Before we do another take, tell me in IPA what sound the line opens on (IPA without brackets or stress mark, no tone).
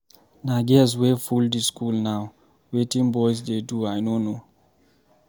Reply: n